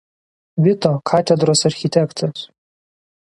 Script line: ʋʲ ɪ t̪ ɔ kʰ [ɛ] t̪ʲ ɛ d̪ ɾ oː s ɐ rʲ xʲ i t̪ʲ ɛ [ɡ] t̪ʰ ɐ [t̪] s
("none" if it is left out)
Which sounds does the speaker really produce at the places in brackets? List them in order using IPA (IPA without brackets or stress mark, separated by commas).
a, k, none